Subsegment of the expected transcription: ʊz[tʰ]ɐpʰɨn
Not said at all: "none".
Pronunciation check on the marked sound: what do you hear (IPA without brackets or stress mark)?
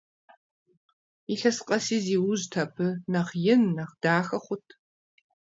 tʰ